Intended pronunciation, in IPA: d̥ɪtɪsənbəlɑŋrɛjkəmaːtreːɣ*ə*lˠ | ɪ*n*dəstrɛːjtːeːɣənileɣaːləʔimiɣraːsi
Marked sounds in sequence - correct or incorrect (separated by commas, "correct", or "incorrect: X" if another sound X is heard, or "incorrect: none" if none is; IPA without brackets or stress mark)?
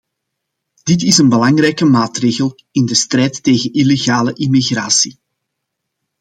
correct, correct